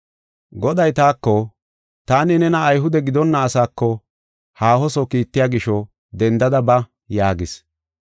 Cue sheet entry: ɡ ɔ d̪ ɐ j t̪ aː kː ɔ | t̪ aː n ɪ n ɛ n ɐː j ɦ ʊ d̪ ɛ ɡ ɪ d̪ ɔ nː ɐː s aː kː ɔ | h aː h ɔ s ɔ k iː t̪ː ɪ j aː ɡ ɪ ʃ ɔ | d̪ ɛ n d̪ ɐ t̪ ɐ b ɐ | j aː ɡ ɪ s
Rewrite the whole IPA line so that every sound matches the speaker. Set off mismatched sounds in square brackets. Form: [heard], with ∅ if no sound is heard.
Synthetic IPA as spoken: ɡ ɔ d̪ ɐ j t̪ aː kː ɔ | t̪ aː n ɪ n ɛ n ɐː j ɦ ʊ d̪ ɛ ɡ ɪ d̪ ɔ nː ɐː s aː kː ɔ | h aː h ɔ s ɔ k iː t̪ː ɪ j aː ɡ ɪ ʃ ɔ | d̪ ɛ n d̪ ɐ [d̪] ɐ b ɐ | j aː ɡ ɪ s